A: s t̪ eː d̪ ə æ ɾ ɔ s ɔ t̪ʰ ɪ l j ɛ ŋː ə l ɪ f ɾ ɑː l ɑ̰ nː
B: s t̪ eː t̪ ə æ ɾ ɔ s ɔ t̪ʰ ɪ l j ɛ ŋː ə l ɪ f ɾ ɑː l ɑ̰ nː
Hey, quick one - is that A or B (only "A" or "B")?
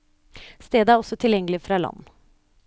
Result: A